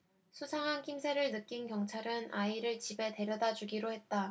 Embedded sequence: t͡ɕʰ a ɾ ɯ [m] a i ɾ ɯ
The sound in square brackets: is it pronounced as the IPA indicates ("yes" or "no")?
no